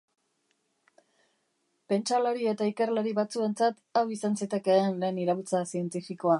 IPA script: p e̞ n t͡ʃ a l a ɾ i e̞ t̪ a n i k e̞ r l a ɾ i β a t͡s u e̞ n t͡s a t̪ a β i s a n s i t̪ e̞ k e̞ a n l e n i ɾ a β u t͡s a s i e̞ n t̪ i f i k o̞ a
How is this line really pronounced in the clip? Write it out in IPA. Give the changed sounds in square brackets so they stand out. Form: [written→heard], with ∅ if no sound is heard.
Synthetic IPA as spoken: p e̞ n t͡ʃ a l a ɾ i e̞ t̪ a [n→∅] i k e̞ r l a ɾ i β a t͡s u e̞ n t͡s a t̪ a [β→w] i s a n s i t̪ e̞ k e̞ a n l e n i ɾ a β u t͡s a s i e̞ n t̪ i f i k o̞ a